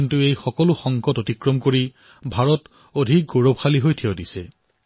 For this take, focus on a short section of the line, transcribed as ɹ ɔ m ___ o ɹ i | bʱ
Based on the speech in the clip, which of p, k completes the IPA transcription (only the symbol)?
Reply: k